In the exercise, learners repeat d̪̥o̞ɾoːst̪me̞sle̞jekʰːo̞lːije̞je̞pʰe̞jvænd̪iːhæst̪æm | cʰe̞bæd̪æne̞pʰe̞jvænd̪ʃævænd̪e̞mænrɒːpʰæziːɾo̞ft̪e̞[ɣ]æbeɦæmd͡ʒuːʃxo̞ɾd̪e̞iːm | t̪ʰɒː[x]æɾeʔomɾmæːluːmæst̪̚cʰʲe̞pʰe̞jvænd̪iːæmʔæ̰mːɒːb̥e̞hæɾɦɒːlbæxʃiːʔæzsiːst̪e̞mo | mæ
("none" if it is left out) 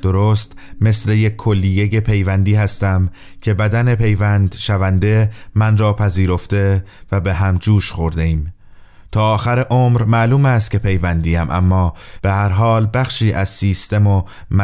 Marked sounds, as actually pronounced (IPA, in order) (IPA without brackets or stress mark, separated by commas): v, x